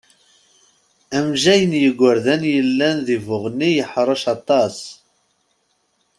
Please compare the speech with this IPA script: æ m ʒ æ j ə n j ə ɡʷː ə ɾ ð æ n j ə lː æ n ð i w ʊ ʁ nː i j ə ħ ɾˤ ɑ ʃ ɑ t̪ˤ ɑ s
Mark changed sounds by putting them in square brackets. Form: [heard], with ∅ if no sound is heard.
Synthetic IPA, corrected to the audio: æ m ʒ æ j ə n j ə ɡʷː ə ɾ ð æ n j ə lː æ n ð i [v] ʊ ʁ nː i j ə ħ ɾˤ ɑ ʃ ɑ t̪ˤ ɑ s